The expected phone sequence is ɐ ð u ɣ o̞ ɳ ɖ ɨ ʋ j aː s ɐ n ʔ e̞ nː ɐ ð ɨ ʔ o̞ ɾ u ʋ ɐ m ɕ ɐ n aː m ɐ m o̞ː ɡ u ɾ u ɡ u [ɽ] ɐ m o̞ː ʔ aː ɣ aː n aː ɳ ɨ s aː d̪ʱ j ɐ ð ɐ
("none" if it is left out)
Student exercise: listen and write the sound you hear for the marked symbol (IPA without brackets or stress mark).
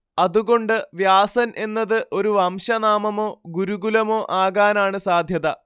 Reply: l